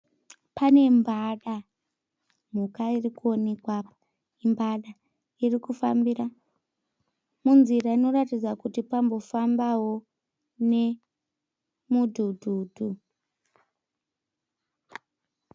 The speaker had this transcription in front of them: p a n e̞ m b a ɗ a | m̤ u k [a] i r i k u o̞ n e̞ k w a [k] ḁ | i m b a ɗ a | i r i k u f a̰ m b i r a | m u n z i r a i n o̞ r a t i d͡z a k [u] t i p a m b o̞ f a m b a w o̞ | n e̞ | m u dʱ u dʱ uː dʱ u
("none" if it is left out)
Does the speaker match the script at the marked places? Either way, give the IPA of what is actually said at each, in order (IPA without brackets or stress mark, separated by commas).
a, p, u